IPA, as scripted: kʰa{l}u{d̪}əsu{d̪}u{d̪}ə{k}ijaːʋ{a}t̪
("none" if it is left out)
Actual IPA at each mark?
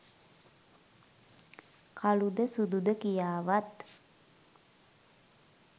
l, d̪, d̪, d̪, k, a

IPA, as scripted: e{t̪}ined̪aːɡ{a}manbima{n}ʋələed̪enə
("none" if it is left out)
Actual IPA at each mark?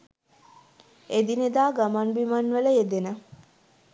d̪, a, n

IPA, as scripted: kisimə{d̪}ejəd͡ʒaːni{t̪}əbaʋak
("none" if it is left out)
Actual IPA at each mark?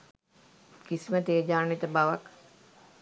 t̪, t̪

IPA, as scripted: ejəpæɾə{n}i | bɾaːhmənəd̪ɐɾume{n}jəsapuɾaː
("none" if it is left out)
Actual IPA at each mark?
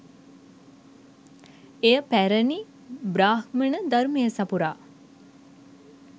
n, none

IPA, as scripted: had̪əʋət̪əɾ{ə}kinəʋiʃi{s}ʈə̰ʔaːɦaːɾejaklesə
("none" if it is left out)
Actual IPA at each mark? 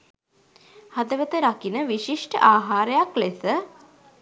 a, ʂ

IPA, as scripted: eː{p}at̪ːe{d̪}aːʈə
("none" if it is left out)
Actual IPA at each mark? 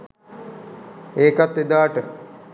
k, d̪

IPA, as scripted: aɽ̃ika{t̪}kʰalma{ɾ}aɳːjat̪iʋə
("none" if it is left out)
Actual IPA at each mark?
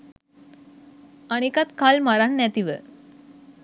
t̪, ɾ

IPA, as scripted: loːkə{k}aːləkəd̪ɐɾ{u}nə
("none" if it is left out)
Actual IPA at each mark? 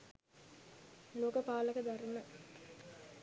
p, u

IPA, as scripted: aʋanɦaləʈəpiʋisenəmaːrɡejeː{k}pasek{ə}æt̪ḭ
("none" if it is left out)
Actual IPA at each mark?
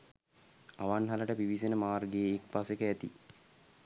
k, ə

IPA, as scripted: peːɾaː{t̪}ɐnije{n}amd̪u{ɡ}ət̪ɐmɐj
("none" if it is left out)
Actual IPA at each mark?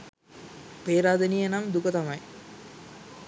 d̪, n, k

